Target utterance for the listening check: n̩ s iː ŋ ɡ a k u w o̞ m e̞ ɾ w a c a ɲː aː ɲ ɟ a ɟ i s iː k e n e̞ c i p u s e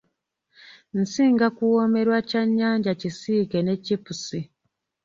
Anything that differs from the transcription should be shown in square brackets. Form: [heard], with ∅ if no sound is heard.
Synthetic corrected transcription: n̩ s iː ŋ ɡ a k u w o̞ m e̞ ɾ w a c a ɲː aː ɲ ɟ a [c] i s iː k e n e̞ c i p u s [i]